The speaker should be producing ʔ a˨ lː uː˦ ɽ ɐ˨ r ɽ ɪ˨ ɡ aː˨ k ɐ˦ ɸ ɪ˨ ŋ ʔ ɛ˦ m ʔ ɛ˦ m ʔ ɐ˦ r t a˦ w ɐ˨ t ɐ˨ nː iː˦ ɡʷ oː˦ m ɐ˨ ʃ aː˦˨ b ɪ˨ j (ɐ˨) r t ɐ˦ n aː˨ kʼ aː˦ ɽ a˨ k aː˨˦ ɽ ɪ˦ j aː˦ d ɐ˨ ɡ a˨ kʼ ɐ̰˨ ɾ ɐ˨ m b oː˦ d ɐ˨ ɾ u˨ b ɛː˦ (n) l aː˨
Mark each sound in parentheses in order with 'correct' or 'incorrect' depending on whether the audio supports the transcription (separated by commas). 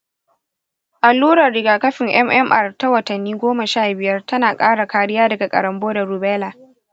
incorrect, incorrect